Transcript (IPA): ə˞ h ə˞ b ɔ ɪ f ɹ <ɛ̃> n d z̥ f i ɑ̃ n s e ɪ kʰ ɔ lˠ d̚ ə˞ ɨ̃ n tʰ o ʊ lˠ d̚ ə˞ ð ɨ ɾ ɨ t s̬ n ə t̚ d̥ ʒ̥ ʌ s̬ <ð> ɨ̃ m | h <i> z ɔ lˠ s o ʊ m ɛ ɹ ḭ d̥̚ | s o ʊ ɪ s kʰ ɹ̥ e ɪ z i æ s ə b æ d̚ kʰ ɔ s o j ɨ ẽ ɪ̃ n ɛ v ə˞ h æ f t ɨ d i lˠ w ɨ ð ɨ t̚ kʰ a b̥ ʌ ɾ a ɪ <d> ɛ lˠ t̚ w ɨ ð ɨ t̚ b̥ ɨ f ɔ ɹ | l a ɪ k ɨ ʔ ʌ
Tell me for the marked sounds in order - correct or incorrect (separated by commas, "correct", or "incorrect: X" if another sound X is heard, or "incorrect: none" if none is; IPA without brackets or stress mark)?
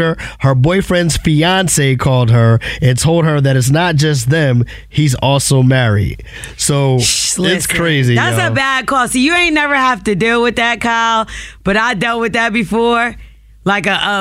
correct, correct, correct, correct